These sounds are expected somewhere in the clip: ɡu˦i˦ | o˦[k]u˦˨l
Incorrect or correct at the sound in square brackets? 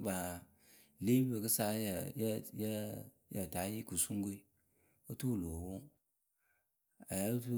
incorrect: t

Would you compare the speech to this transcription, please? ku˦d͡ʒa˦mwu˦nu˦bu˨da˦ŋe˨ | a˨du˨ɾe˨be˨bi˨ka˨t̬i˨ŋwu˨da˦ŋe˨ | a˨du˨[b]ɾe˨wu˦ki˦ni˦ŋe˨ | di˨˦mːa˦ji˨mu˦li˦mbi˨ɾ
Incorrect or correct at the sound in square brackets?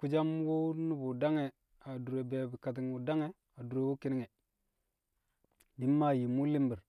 incorrect: none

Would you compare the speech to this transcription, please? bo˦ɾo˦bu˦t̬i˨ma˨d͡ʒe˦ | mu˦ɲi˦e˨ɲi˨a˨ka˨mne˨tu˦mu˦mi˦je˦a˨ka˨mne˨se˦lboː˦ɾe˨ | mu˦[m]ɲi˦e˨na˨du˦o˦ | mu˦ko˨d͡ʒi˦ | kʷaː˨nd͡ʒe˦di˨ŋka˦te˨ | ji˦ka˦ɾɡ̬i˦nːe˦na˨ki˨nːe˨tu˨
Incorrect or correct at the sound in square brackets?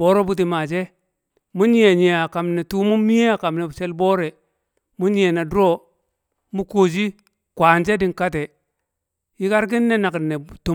incorrect: none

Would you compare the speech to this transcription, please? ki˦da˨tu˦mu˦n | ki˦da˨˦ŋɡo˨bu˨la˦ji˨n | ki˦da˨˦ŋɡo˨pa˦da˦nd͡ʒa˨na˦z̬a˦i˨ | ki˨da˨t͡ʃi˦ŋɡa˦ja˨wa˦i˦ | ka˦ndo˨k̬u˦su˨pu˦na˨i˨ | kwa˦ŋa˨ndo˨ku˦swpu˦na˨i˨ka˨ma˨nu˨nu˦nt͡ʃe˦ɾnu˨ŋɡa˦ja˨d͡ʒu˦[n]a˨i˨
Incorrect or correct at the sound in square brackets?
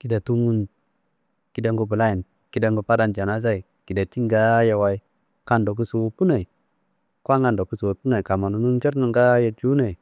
correct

